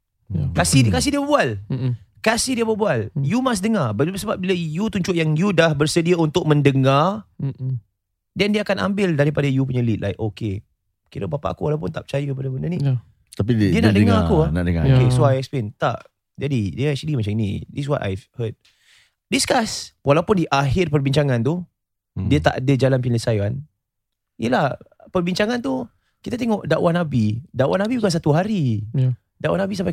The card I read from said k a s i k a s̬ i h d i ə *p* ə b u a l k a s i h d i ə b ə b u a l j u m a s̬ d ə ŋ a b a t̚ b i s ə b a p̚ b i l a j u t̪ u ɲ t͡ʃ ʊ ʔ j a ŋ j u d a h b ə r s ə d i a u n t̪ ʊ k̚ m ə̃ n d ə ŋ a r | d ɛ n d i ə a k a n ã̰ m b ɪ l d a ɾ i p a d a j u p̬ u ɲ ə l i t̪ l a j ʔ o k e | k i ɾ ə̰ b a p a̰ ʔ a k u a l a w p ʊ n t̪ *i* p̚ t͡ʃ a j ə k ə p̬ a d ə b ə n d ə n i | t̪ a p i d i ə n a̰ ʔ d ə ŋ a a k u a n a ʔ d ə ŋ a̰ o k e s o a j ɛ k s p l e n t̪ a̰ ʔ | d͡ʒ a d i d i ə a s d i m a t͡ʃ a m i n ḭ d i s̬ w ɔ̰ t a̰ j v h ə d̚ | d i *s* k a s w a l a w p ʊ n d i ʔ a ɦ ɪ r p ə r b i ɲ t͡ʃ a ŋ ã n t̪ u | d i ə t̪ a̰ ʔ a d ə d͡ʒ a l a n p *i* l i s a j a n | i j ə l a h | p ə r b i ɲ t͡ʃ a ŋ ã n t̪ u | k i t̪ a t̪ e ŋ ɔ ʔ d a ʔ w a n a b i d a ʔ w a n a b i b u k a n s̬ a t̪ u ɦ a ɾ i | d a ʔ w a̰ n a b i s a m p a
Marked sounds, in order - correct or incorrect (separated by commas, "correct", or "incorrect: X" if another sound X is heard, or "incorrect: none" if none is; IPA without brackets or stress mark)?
incorrect: b, incorrect: a, correct, correct